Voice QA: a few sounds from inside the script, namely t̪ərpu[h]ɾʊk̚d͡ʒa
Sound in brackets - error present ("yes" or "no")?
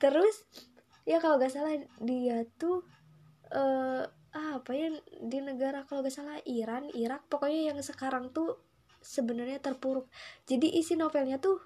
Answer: yes